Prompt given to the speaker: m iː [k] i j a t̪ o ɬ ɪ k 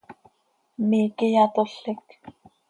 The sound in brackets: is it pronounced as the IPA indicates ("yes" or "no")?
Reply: yes